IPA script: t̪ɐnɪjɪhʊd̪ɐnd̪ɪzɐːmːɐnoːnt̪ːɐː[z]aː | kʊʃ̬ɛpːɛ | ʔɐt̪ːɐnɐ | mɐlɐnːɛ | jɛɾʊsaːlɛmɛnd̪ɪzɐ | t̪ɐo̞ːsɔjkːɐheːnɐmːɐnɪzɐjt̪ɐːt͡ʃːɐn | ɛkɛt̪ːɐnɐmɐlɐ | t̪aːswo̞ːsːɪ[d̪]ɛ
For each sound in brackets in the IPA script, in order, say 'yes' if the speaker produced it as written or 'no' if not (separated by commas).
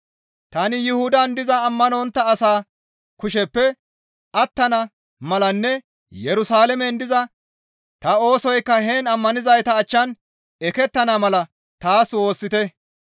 no, no